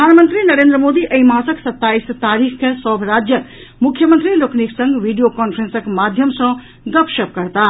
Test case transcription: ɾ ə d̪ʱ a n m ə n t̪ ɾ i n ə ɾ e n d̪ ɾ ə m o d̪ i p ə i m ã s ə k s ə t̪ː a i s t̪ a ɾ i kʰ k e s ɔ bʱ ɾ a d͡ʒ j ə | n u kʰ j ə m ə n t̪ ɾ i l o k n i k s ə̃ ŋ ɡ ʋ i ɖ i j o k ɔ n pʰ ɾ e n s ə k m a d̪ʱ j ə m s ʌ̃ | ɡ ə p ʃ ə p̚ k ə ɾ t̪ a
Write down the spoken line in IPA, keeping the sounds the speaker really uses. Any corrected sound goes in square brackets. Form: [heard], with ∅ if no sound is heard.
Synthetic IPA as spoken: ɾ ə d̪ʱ a n m ə n t̪ ɾ i n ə ɾ e n d̪ ɾ ə m o d̪ i [ʔ] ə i m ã s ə k s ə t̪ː a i s t̪ a ɾ i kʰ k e s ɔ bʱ ɾ a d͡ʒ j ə | [m] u kʰ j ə m ə n t̪ ɾ i l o k n i k s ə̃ ŋ ɡ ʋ i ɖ i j o k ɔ n pʰ ɾ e n s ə k m a d̪ʱ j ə m s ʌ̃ | ɡ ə p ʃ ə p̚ k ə ɾ t̪ a